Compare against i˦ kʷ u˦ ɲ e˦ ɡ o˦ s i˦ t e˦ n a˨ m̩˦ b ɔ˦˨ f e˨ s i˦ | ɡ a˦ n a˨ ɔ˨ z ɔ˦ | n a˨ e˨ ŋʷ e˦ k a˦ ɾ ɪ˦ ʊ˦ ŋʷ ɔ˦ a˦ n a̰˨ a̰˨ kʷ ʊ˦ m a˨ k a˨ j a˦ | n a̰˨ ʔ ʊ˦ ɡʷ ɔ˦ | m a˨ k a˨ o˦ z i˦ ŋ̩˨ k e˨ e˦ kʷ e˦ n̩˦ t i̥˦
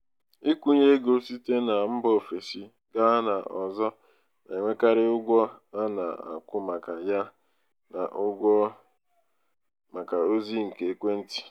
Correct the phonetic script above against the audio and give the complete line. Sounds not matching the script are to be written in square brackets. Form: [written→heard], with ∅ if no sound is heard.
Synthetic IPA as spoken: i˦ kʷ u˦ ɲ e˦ ɡ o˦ s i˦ t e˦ n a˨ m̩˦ b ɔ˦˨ f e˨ s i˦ | ɡ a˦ n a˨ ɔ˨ z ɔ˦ | n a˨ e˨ ŋʷ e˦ k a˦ ɾ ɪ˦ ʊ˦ [ŋʷ→ɡʷ] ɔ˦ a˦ n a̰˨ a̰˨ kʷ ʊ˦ m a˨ k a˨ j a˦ | n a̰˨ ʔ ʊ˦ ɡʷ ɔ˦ | m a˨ k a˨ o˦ z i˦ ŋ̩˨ k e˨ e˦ kʷ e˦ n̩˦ t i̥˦